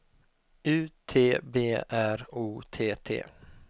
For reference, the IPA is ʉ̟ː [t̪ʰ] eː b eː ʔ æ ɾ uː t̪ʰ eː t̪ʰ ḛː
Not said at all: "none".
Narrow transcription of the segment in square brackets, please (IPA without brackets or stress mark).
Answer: t̪ʰ